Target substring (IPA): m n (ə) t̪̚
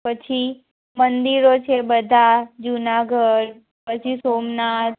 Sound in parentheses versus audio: incorrect: a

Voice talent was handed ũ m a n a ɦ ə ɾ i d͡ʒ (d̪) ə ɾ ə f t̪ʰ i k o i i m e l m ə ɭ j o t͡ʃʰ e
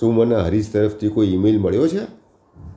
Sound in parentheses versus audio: incorrect: t̪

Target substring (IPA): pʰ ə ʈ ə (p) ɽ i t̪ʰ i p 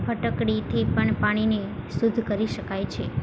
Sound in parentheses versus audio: incorrect: k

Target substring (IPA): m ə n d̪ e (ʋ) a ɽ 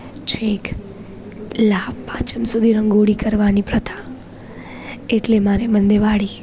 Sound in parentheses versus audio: correct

